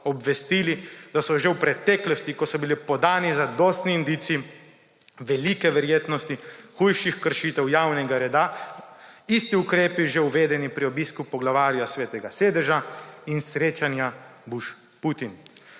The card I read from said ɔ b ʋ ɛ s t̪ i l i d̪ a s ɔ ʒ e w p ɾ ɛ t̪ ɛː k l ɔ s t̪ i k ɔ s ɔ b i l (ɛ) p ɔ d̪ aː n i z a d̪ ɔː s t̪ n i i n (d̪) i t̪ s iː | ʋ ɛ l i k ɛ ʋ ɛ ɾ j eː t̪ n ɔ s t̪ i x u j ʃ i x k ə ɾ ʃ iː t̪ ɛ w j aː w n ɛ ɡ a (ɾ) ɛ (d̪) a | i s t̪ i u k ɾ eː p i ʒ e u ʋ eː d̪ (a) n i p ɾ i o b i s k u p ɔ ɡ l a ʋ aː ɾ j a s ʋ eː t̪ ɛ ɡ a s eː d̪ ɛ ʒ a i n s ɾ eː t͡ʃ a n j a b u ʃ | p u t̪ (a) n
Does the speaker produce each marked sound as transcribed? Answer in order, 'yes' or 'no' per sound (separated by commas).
no, yes, yes, yes, no, no